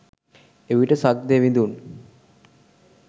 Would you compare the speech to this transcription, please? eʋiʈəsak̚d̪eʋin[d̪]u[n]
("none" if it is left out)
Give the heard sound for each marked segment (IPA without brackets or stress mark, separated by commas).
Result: d̪, n